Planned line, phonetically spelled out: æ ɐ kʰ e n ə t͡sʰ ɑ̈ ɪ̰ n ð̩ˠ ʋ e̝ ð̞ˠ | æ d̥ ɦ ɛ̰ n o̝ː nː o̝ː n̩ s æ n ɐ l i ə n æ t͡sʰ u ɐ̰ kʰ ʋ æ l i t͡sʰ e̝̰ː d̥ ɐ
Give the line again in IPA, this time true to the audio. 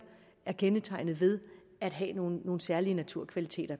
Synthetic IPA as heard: æ ɐ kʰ e n ə t͡sʰ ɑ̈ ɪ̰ n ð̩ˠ ʋ e̝ ð̞ˠ | æ d̥ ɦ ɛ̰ n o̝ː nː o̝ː n̩ s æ ɐ l i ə n æ t͡sʰ u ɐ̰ kʰ ʋ æ l i t͡sʰ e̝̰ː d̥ ɐ